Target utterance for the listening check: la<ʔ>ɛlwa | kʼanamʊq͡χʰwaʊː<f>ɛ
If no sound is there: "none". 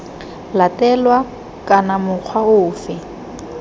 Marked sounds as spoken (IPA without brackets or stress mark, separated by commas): t, f